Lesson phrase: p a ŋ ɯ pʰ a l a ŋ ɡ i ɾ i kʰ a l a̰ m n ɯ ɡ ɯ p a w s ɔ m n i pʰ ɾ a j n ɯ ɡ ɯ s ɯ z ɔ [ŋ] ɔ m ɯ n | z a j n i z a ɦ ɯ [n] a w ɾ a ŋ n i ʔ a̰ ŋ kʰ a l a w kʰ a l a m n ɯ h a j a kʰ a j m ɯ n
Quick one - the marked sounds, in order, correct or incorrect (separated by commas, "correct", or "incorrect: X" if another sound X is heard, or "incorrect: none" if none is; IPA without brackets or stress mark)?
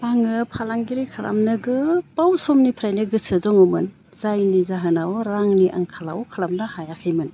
correct, correct